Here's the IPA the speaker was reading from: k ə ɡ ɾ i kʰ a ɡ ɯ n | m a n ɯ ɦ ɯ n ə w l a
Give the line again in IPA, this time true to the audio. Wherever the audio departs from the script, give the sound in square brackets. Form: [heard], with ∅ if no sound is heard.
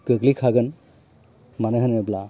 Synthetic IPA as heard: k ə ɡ [l] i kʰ a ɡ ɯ n | m a n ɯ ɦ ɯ n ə [b] l a